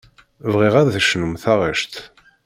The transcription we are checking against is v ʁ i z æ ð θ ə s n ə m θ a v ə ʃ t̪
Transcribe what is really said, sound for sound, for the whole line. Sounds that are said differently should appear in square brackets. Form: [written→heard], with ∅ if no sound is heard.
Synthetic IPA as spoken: v ʁ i [z→ʁ] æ ð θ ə [s→ʃ] n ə m θ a [v→ʁ] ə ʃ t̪